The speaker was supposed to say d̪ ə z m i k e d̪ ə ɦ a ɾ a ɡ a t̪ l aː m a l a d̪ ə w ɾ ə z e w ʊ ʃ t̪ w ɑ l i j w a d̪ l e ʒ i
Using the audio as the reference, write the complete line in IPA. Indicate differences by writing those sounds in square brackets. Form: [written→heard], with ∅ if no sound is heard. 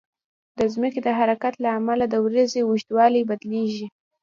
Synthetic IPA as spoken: d̪ ə z m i k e d̪ ə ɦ a ɾ a [ɡ→k] a t̪ l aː m a l a d̪ ə w ɾ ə z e w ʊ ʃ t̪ w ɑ l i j [w→b] a d̪ l e ʒ i